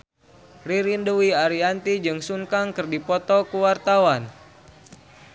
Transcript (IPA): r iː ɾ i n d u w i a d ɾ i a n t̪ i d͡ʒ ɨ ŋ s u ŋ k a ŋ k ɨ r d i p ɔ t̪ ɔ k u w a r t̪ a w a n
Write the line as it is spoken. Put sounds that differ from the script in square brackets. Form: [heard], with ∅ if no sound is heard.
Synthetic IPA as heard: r [i] ɾ i n d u w i a [∅] ɾ i a n t̪ i d͡ʒ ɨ ŋ s u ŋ k a ŋ k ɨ r d i p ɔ t̪ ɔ k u w a r t̪ a w a n